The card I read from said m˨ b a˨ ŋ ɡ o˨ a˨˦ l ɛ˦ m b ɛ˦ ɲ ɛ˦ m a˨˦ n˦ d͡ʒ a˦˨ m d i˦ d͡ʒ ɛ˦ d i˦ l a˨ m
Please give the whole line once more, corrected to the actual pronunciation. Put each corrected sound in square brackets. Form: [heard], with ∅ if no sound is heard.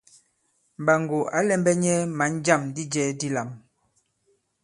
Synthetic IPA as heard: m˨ b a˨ ŋ ɡ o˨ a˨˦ l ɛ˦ m b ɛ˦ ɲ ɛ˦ m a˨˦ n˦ d͡ʒ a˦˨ m d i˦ d͡ʒ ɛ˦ d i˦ l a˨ m